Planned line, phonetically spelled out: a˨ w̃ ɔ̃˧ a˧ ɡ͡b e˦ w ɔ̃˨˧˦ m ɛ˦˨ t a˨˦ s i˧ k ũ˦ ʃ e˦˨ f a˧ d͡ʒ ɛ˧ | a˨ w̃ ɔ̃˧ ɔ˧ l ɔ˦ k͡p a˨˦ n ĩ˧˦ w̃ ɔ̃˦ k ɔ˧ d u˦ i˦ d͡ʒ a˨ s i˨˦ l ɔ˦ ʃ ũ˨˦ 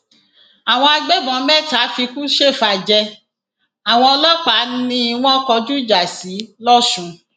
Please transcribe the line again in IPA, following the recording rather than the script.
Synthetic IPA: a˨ w̃ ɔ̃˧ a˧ ɡ͡b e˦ b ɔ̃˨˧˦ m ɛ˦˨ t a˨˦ f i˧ k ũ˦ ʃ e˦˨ f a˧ d͡ʒ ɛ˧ | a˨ w̃ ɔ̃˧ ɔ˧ l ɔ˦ k͡p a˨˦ n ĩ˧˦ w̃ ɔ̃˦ k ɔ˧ d͡ʒ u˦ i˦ d͡ʒ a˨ s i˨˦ l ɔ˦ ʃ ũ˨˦